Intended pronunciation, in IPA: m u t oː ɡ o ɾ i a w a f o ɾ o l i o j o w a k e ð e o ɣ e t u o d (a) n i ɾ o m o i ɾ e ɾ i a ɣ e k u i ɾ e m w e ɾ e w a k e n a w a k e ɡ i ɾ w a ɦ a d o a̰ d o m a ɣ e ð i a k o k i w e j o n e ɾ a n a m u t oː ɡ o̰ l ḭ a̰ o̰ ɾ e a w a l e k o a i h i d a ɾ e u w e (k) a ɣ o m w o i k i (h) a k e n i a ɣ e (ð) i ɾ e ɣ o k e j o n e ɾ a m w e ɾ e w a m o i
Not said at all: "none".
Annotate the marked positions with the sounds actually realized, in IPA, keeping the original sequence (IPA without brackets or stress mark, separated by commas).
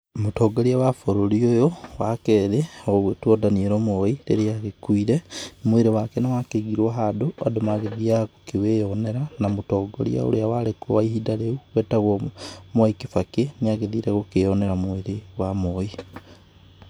a, t, f, ð